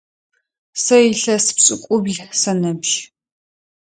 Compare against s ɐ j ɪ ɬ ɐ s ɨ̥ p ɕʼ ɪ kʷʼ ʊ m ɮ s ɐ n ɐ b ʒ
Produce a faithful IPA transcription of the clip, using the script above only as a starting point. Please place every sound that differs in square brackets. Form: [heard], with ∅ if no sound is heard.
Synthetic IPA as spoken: s ɐ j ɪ ɬ ɐ s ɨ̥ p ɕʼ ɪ kʷʼ ʊ [b] ɮ s ɐ n ɐ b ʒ